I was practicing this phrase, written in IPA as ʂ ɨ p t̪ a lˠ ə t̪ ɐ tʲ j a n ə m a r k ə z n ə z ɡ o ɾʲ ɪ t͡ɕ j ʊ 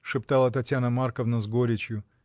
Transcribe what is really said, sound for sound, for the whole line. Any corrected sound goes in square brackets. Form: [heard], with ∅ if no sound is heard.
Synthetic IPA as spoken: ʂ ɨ p t̪ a lˠ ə t̪ ɐ tʲ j a n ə m a r k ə [v] n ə z ɡ o ɾʲ ɪ t͡ɕ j ʊ